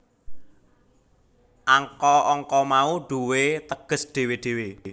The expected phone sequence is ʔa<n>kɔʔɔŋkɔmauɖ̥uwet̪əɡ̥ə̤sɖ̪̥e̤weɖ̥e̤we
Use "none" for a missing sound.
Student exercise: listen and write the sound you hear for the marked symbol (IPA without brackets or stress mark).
ŋ